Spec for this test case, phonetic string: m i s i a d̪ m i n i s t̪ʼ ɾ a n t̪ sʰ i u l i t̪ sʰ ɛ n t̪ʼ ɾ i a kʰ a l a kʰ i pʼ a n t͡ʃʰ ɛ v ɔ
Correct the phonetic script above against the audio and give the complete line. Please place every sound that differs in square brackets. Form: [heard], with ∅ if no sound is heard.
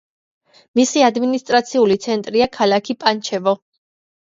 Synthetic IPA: m i s i a d̪ m i n i s t̪ʼ ɾ a [∅] t̪ sʰ i u l i t̪ sʰ ɛ n t̪ʼ ɾ i a kʰ a l a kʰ i pʼ a n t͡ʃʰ ɛ v ɔ